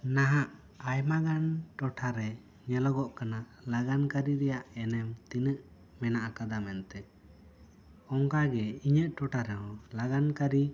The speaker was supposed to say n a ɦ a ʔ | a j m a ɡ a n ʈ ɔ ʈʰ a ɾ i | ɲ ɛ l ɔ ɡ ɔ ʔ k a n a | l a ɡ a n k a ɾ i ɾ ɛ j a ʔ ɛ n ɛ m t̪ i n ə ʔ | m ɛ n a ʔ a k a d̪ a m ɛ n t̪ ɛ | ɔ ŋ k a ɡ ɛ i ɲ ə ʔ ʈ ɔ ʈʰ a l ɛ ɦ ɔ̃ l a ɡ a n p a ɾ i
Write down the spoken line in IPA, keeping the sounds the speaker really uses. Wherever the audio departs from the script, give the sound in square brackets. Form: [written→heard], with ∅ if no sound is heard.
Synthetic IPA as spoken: n a ɦ a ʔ | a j m a ɡ a n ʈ ɔ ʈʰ a ɾ [i→ɛ] | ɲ ɛ l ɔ ɡ ɔ ʔ k a n a | l a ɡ a n k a ɾ i ɾ ɛ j a ʔ ɛ n ɛ m t̪ i n ə ʔ | m ɛ n a ʔ a k a d̪ a m ɛ n t̪ ɛ | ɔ ŋ k a ɡ ɛ i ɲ ə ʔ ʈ ɔ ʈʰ a [l→ɾ] ɛ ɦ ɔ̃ l a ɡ a n [p→k] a ɾ i